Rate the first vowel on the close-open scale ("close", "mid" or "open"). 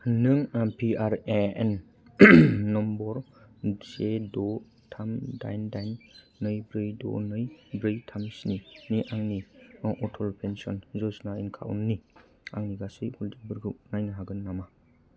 close